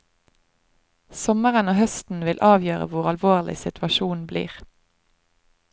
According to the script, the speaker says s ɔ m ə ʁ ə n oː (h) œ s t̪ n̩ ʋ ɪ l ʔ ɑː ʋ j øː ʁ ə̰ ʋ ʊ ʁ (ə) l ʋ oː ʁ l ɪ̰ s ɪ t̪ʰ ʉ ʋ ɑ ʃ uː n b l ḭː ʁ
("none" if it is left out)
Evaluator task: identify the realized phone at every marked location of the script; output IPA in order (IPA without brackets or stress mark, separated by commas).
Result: h, ɑ